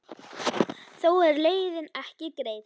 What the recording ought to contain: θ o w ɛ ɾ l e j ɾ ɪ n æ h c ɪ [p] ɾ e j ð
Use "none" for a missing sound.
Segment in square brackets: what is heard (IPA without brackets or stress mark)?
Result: k